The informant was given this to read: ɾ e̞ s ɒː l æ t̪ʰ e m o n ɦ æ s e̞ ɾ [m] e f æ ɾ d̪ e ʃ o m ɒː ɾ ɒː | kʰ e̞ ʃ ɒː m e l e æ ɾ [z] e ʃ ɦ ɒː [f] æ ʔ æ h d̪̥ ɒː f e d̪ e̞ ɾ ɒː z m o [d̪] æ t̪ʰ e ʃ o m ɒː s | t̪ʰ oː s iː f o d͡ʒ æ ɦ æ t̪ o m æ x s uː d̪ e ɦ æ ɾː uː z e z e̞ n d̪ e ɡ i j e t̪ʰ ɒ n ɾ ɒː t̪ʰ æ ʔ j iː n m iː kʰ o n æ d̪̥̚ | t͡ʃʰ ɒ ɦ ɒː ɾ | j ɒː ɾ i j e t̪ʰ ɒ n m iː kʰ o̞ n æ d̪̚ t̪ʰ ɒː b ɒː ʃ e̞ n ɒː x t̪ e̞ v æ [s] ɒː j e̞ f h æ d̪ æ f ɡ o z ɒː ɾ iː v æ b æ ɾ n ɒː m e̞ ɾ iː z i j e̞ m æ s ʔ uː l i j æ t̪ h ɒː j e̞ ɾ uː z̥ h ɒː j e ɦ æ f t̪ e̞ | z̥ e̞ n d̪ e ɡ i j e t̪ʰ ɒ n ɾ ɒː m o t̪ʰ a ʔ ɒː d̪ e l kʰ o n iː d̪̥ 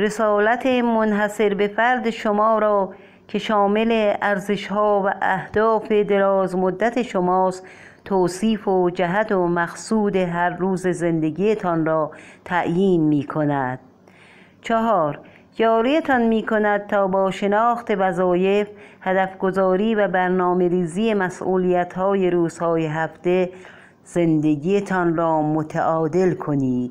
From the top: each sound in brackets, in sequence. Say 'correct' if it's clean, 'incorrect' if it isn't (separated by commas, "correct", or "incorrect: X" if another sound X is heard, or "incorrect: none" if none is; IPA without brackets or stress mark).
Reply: incorrect: b, correct, incorrect: v, incorrect: d̪ː, incorrect: z